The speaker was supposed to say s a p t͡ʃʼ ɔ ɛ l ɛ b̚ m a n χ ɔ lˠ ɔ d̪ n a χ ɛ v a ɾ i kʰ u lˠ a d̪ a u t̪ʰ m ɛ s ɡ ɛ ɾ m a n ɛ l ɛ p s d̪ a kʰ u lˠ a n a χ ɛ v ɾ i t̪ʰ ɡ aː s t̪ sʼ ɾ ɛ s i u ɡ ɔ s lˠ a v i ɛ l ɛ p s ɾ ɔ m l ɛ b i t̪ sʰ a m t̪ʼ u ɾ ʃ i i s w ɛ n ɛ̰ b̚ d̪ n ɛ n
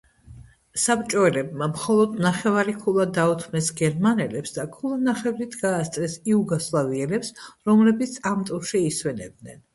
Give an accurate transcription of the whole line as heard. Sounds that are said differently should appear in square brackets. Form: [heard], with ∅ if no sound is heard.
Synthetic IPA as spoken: s a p t͡ʃʼ ɔ ɛ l ɛ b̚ m a [m] χ ɔ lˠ ɔ d̪ n a χ ɛ v a ɾ i kʰ u lˠ a d̪ a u t̪ʰ m ɛ s ɡ ɛ ɾ m a n ɛ l ɛ p s d̪ a kʰ u lˠ a n a χ ɛ v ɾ i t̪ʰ ɡ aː s t̪ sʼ ɾ ɛ s i u ɡ ɔ s lˠ a v i ɛ l ɛ p s ɾ ɔ m l ɛ b i t̪ sʰ a m t̪ʼ u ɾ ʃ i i s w ɛ n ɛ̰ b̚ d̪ n ɛ n